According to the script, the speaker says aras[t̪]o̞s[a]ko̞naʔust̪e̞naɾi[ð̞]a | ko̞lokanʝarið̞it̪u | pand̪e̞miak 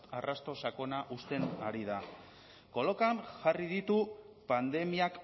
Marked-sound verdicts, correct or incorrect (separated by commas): correct, correct, correct